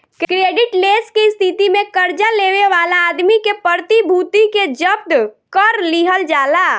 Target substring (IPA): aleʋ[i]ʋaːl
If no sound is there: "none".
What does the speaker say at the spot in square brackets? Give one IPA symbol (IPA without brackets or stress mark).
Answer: e